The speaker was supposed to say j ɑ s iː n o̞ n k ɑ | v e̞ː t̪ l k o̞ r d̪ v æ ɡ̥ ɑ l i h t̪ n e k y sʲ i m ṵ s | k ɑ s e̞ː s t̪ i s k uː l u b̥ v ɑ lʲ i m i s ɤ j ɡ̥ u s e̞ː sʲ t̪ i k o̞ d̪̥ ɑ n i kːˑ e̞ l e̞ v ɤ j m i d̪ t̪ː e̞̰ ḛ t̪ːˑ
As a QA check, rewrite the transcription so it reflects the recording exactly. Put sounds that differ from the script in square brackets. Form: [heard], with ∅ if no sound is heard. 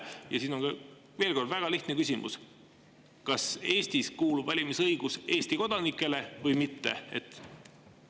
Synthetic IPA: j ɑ s iː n o̞ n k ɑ | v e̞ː [∅] l k o̞ r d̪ v æ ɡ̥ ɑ l i h t̪ n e k y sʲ i m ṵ s | k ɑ s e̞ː s t̪ i s k uː l u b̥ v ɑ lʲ i m i s ɤ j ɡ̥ u s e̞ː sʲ t̪ i k o̞ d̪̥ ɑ n i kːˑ e̞ l e̞ v ɤ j m i [∅] t̪ː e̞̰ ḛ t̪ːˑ